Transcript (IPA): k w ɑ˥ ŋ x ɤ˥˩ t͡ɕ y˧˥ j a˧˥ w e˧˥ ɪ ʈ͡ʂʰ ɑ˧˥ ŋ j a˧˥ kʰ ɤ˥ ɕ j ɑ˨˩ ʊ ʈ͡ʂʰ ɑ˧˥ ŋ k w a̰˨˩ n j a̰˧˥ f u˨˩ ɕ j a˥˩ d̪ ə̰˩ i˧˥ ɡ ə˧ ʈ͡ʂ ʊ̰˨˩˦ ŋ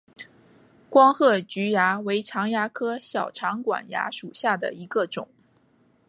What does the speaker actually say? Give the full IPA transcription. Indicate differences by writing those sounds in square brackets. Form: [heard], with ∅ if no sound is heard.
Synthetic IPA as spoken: k w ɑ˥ ŋ x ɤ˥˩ t͡ɕ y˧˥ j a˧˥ w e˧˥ ɪ ʈ͡ʂʰ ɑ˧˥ ŋ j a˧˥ kʰ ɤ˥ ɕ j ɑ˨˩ ʊ ʈ͡ʂʰ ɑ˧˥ ŋ k w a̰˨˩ n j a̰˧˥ [ʂ] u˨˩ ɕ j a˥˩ d̪ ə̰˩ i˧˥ ɡ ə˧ ʈ͡ʂ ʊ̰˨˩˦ ŋ